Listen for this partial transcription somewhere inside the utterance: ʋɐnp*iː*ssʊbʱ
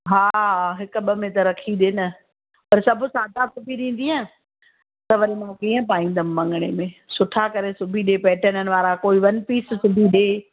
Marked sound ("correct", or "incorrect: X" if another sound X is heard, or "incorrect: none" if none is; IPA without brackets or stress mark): correct